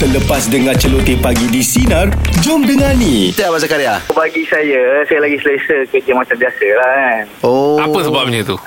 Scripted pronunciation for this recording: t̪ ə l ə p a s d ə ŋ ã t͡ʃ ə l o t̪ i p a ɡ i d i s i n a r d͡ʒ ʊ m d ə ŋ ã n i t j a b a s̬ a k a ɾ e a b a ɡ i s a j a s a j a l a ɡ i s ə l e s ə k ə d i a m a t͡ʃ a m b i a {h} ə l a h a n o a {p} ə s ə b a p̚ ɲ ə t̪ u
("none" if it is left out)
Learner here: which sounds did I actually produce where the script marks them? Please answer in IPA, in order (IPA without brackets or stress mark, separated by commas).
s, p